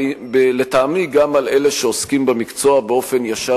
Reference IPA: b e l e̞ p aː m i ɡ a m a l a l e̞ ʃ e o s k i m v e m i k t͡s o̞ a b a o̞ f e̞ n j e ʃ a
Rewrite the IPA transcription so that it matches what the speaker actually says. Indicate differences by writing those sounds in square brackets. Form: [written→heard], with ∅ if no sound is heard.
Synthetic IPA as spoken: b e l e̞ [p→t] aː m i ɡ a m a l [a→e] l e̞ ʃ e o s k i m [v→b] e m i k t͡s o̞ a b [a→e] o̞ f e̞ n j [e→a] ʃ a

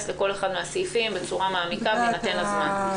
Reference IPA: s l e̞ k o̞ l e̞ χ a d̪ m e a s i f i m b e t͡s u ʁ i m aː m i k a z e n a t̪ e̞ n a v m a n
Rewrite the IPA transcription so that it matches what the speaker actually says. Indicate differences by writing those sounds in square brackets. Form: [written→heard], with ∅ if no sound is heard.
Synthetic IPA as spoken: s l e̞ k o̞ l e̞ χ a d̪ m e a s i f i m b e t͡s u ʁ [i→a] m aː m i k a [z→v] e n a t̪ e̞ n a [v→z] m a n

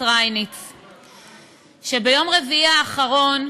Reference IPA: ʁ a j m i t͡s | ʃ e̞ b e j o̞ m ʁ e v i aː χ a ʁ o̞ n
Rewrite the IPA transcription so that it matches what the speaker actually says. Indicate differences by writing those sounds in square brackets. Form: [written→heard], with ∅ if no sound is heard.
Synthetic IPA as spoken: ʁ a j [m→n] i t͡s | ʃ e̞ b e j o̞ m ʁ e v i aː χ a ʁ o̞ n

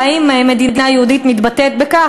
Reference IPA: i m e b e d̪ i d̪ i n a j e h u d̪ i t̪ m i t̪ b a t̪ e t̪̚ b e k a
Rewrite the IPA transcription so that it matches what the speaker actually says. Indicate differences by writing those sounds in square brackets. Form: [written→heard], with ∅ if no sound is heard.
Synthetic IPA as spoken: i m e [b→m] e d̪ i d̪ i n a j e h u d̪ i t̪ m i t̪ b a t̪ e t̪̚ b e k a

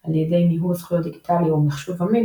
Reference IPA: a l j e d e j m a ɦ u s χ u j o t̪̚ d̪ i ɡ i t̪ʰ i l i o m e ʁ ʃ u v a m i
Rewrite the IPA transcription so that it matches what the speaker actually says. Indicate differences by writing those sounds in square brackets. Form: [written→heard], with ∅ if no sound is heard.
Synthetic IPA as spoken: a l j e d e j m [a→i] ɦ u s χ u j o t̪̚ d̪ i ɡ i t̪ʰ [i→a] l i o m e [ʁ→χ] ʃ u v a m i

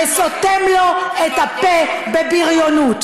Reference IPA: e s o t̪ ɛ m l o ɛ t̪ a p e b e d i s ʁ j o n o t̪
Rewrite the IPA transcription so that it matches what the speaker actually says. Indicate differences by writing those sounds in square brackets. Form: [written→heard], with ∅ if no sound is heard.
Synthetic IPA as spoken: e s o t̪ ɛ m l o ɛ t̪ a p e b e [d→b] i [s→∅] ʁ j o n [o→u] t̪

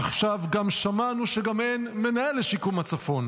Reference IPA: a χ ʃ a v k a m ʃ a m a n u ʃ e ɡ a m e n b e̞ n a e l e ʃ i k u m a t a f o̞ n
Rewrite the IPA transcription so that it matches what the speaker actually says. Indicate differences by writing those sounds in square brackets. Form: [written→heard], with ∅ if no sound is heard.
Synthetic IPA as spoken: a χ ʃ a v [k→ɡ] a m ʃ a m a n u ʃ e ɡ a m e n [b→m] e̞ n a e l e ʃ i k u m a [t→t͡s] a f o̞ n

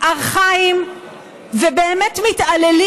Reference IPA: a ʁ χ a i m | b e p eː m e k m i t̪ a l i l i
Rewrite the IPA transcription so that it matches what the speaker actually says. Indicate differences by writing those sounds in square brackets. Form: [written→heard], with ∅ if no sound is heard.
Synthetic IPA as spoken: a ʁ χ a i m | [b→v] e [p→b] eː m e [k→t] m i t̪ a l [i→e] l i

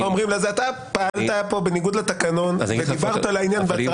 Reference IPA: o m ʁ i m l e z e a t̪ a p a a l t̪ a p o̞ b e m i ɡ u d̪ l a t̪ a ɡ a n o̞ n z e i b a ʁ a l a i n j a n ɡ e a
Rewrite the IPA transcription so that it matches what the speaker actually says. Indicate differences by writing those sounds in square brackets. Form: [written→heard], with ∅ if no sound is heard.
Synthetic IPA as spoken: o m ʁ i m l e z e a t̪ a p a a l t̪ a p o̞ b e [m→n] i ɡ u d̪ l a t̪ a [ɡ→k] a n o̞ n [z→v] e i b a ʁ a l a i n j a n [ɡ→b] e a

